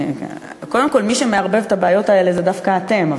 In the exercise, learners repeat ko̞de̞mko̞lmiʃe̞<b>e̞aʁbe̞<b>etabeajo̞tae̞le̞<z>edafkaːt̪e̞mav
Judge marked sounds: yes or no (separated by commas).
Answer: no, no, yes